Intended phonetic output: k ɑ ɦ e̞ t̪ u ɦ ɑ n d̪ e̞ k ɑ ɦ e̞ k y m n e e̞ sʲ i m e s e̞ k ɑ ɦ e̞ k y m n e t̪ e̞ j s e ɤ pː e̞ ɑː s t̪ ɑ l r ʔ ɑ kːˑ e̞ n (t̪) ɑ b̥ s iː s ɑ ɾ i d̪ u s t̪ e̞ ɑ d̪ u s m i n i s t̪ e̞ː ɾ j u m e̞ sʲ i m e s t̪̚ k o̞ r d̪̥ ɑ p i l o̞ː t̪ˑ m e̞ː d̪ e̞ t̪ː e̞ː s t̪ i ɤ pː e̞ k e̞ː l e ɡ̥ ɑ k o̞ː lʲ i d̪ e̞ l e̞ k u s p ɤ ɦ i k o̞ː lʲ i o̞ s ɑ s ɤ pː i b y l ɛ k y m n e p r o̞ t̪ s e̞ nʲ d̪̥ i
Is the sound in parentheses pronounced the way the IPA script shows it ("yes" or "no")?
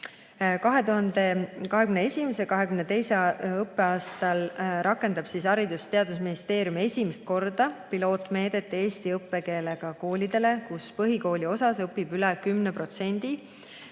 no